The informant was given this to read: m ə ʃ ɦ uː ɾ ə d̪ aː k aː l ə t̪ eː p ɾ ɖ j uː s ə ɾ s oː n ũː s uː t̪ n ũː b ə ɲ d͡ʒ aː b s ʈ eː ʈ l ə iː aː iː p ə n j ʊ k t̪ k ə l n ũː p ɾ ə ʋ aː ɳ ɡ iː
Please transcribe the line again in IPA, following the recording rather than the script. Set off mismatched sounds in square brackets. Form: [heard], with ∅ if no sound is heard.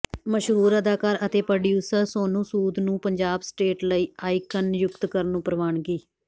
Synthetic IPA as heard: m ə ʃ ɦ uː ɾ ə d̪ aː k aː [ɾ] ə t̪ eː p ɾ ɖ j uː s ə ɾ s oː n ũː s uː [d̪] n ũː [p] ə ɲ d͡ʒ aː b s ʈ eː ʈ l ə iː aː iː [k] ə n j ʊ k t̪ k ə [ɾ] n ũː p ɾ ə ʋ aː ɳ ɡ iː